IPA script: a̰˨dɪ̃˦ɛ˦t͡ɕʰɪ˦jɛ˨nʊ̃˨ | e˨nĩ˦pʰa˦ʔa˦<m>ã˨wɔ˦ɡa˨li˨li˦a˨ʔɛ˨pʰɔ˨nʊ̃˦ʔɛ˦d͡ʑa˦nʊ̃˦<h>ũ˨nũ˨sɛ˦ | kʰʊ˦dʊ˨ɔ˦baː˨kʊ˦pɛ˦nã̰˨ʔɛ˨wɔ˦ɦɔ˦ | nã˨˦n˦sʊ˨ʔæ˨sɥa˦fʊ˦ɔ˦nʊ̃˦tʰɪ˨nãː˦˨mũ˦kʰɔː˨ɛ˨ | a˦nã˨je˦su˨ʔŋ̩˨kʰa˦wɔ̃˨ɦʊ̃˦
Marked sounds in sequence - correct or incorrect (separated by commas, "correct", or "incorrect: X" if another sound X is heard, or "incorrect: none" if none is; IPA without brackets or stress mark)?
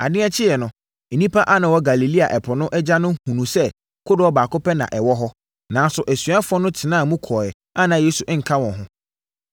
incorrect: n, correct